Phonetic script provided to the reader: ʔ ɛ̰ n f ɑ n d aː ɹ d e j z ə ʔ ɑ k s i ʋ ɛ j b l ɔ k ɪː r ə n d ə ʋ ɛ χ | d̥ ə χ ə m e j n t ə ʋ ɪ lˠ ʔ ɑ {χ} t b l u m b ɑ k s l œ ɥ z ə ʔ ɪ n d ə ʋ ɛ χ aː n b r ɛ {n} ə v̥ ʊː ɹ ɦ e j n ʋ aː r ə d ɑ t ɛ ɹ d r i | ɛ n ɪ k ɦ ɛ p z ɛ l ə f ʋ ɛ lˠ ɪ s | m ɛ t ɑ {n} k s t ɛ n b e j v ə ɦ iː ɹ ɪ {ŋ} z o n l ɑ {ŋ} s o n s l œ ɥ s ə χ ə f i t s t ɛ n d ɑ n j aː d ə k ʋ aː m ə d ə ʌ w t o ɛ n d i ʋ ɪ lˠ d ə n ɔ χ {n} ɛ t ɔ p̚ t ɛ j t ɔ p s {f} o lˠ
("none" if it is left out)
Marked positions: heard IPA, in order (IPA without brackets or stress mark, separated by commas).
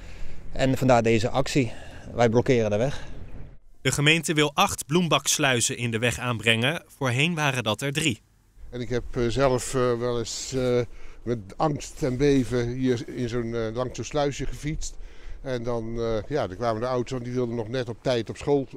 χ, ŋ, ŋ, n, ŋ, n, χ